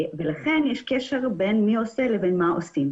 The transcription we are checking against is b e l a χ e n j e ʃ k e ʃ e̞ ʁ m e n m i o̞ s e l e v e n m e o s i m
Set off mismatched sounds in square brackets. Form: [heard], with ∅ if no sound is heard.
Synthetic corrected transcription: [v] e l a χ e n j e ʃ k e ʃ e̞ ʁ [b] e n m i o̞ s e l e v e n m [a] o s i m